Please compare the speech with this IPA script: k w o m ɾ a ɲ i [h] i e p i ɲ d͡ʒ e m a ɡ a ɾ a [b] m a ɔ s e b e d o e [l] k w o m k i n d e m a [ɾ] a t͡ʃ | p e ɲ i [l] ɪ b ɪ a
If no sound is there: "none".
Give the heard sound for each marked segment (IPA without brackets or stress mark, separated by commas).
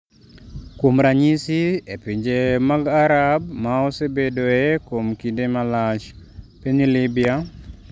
s, b, none, l, l